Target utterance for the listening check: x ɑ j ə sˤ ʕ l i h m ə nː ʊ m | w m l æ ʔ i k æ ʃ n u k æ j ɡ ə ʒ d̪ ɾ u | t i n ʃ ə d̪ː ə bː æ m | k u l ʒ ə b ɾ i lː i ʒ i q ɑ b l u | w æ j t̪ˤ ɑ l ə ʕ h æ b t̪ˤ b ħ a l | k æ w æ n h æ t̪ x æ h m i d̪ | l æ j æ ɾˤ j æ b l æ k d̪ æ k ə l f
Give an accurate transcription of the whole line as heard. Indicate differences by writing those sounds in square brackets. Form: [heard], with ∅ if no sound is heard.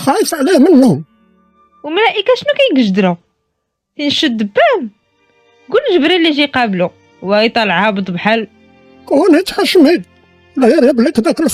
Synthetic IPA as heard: x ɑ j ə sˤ ʕ l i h m ə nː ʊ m | w m l æ ʔ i k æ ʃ n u k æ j ɡ ə ʒ d̪ ɾ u | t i n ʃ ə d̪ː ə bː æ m | [ɡ] u l ʒ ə b ɾ i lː i ʒ i q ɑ b l u | w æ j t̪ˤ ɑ l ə ʕ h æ b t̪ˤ b ħ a l | k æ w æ n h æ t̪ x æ [ʃ] m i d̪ | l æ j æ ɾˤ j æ b l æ k d̪ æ k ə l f